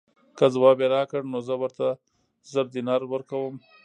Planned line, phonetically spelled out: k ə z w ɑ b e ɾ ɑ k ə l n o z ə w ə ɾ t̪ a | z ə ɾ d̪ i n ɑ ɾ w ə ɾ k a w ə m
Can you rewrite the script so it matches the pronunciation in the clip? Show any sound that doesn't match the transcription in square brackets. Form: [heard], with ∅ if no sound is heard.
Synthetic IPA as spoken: k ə z w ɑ b e ɾ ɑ k ə [ɽ] n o z ə w ə ɾ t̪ a | z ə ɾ d̪ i n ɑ ɾ w ə ɾ k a w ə m